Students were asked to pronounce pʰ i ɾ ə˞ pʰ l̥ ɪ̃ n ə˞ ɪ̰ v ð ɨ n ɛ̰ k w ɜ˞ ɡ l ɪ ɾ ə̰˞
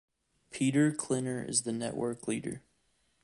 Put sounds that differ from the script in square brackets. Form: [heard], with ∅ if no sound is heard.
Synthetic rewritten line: pʰ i ɾ ə˞ [kʰ] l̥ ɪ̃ n ə˞ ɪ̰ [z] ð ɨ n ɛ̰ [ʔ] w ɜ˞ [k] l [i] ɾ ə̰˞